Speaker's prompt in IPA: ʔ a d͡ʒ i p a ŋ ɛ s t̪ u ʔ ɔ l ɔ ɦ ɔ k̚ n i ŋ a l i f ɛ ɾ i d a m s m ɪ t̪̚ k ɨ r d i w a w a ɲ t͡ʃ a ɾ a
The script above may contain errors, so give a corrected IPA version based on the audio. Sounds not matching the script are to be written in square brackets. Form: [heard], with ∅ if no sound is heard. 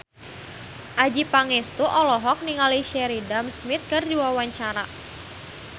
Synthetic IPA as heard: ʔ a d͡ʒ i p a ŋ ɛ s t̪ u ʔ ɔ l ɔ ɦ ɔ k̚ n i ŋ a l i [ʃ] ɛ ɾ i d a m s m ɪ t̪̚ k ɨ r d i w a w a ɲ t͡ʃ a ɾ a